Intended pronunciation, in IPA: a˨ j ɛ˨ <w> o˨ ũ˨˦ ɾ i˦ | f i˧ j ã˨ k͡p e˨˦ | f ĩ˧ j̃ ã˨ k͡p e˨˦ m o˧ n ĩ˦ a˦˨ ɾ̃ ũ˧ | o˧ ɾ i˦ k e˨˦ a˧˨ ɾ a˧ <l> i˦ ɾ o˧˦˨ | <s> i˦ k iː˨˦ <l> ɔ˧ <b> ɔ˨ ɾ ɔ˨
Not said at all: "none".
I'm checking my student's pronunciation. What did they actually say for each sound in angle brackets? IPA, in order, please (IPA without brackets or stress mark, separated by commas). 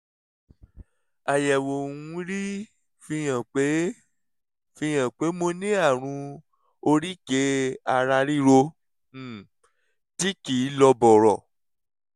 w, ɾ, t, l, b